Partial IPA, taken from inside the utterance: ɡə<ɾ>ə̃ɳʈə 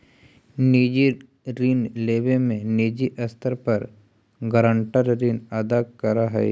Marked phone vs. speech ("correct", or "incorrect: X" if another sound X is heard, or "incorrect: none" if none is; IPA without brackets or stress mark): correct